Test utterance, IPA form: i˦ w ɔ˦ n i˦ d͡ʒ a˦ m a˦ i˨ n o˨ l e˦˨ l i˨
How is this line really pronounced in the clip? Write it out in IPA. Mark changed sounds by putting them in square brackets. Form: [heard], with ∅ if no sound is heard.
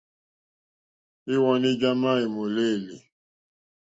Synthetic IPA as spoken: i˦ w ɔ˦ n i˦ d͡ʒ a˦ m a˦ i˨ [m] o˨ l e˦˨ l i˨